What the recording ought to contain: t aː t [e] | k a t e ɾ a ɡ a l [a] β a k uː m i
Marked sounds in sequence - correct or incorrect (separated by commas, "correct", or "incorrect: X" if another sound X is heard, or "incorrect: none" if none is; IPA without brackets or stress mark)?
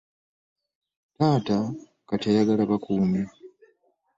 incorrect: a, correct